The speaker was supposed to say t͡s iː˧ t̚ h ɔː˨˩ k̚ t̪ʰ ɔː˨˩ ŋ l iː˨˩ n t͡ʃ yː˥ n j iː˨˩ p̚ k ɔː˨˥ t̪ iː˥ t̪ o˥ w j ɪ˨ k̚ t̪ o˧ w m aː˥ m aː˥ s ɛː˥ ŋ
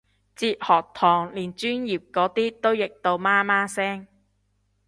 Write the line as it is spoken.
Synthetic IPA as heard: t͡s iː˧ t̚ h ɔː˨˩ k̚ t̪ʰ ɔː˨˩ ŋ l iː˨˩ n t͡ʃ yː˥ n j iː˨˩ p̚ k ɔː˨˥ t̪ iː˥ t̪ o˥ w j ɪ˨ k̚ t̪ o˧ w m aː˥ m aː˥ s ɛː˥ ŋ